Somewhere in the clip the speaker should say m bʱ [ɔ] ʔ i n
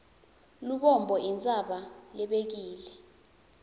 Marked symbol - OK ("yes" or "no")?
yes